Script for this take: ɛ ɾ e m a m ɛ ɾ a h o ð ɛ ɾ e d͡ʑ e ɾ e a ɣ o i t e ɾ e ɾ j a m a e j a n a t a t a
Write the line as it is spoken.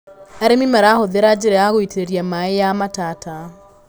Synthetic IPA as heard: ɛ ɾ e m i m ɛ ɾ a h o ð e ɾ a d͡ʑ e ɾ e a ɣ o i t e ɾ e ɾ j a m a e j a m a t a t a